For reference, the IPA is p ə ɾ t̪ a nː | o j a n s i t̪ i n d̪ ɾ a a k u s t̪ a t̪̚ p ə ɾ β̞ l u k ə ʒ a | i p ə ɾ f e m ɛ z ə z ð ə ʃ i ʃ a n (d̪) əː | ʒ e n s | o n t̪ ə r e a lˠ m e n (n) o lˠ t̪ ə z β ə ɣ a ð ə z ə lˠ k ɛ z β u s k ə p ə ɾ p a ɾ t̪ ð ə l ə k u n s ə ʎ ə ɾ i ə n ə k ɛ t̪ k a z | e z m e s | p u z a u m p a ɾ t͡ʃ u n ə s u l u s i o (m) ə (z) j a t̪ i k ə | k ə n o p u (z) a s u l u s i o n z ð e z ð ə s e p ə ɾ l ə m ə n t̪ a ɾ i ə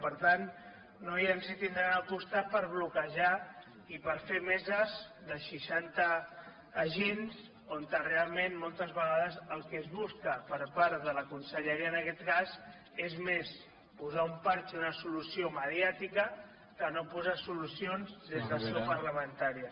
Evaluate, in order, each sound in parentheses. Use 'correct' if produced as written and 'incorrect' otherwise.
incorrect, incorrect, correct, incorrect, correct

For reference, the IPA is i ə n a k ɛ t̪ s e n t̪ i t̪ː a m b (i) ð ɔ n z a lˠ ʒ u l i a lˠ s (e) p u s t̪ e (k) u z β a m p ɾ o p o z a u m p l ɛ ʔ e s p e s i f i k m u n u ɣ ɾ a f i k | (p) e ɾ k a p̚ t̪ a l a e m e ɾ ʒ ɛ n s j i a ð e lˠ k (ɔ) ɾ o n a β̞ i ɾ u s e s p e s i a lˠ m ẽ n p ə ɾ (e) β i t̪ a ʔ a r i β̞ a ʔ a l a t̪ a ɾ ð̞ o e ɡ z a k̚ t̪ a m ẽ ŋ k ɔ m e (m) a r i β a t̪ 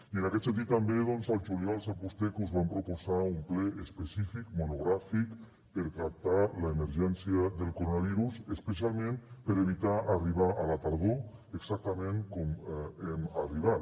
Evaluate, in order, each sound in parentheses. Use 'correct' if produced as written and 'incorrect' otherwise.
incorrect, incorrect, correct, correct, incorrect, correct, correct

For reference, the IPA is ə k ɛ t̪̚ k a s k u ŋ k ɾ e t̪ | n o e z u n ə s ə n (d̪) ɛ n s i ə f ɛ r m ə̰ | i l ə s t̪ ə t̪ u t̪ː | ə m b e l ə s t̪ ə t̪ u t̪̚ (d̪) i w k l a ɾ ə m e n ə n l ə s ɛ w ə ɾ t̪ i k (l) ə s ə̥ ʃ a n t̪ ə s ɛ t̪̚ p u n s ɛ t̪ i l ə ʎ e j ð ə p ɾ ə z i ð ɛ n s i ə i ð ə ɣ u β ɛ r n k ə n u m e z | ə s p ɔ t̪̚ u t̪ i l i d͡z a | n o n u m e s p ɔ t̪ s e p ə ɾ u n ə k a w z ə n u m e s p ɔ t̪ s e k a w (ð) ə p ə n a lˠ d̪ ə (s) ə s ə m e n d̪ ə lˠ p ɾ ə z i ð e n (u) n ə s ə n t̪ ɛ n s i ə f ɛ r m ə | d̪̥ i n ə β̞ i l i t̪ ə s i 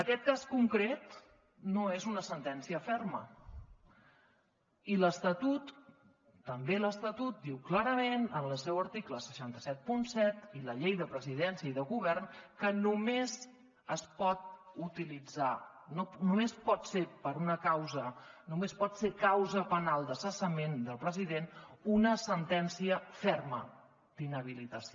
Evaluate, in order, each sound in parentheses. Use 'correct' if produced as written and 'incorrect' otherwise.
incorrect, correct, correct, incorrect, correct, correct

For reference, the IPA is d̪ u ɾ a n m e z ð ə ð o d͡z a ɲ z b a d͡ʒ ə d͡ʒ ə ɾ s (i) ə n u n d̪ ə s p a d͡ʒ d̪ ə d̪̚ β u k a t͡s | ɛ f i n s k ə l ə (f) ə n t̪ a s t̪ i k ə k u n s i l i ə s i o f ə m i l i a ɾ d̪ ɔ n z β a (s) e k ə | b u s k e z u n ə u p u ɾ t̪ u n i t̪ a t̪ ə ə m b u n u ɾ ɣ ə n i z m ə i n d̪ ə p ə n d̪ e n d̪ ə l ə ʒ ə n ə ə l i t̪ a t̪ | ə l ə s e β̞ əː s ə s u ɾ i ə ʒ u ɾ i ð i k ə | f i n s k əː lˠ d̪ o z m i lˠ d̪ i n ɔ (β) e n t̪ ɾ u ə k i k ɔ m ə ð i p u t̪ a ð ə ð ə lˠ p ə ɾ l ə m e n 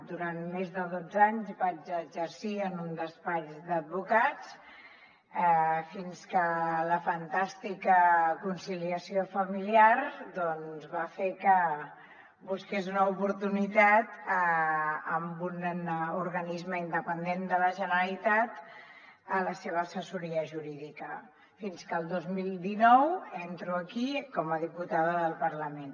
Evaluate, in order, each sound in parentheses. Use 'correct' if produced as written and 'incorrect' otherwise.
correct, correct, incorrect, incorrect

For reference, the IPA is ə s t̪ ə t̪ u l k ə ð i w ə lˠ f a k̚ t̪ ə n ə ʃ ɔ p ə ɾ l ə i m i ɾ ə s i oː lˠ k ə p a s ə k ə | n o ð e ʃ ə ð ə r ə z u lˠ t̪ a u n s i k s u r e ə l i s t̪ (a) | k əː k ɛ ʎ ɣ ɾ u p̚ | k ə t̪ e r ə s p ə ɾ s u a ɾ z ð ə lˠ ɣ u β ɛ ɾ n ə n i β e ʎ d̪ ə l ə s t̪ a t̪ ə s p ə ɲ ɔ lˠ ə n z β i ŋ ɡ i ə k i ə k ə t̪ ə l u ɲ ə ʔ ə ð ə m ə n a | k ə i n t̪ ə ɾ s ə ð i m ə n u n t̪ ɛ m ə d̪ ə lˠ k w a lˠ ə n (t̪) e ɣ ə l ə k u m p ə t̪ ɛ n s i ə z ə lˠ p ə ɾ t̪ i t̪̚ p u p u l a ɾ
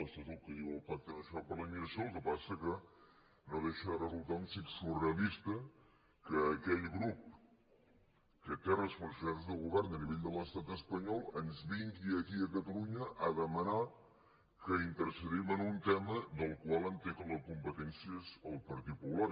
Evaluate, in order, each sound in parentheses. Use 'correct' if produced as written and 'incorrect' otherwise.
incorrect, correct

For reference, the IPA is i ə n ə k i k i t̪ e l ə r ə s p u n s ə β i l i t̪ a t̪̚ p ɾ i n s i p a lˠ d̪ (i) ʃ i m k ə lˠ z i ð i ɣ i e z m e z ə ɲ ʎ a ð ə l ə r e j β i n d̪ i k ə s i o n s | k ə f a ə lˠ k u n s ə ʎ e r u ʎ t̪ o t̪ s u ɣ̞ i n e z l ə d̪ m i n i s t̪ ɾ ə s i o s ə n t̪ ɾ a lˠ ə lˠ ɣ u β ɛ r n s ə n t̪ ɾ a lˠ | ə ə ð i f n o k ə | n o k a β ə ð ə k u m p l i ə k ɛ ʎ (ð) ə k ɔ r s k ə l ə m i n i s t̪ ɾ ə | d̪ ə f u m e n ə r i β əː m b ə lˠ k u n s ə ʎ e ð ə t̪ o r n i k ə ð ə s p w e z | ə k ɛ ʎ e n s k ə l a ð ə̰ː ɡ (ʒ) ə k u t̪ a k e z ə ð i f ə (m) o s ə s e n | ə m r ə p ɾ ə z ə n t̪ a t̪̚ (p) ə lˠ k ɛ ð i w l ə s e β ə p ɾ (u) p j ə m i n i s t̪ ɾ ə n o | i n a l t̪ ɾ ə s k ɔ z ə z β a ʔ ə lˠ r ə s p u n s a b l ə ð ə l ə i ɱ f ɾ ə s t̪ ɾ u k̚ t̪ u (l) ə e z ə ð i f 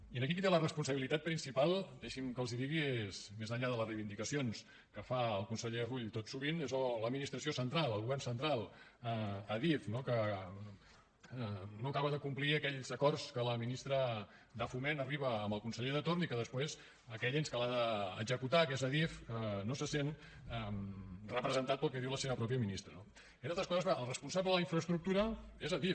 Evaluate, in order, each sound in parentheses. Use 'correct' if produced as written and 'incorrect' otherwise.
incorrect, incorrect, incorrect, incorrect, correct, incorrect, incorrect

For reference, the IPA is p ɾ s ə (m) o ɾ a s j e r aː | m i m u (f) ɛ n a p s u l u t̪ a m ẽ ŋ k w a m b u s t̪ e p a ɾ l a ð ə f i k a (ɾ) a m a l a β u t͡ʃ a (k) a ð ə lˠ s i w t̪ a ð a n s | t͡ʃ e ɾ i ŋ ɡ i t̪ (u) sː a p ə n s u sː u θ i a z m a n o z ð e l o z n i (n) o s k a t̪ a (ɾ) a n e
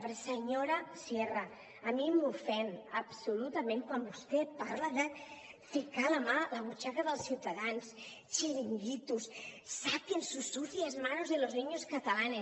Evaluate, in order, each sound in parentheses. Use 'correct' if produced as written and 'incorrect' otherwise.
incorrect, correct, incorrect, correct, correct, incorrect, incorrect

